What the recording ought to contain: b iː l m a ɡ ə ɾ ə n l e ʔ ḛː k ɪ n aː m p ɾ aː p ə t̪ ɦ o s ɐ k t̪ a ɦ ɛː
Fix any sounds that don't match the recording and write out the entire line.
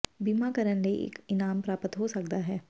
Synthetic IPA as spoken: b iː m a k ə ɾ ə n l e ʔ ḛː k ɪ n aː m p ɾ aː p ə t̪ ɦ o s ɐ k d̪ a ɦ ɛː